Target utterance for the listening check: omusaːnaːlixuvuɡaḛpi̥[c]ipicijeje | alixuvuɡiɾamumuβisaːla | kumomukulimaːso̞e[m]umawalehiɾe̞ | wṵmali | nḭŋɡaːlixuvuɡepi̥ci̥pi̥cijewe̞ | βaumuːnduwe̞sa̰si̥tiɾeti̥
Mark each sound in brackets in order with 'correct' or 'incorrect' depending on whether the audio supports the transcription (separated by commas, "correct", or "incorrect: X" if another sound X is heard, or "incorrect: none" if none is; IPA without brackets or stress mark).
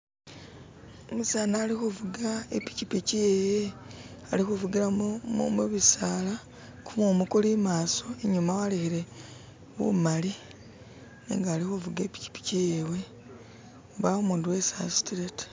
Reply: correct, incorrect: ɲ